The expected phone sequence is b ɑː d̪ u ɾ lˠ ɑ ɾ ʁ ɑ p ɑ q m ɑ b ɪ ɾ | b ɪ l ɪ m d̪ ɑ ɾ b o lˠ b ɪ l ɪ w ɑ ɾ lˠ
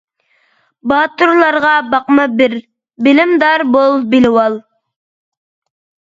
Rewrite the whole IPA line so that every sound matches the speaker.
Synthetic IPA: b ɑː t̪ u ɾ lˠ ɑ ɾ ʁ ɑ b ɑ q m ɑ b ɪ ɾ | b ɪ l ɪ m d̪ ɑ ɾ b o lˠ b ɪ l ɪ w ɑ lˠ